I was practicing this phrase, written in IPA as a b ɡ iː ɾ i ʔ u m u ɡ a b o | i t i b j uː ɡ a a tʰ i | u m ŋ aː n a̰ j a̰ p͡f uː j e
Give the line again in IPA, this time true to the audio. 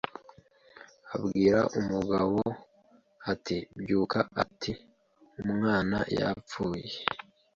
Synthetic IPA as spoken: a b ɡ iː ɾ a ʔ u m u ɡ a β o | a t i b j uː k a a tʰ i | u m ŋ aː n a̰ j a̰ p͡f uː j e